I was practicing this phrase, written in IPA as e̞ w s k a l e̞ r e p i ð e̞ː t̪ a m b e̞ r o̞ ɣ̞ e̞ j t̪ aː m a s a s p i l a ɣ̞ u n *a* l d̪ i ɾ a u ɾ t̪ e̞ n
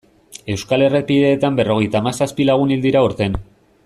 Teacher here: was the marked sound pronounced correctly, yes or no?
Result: no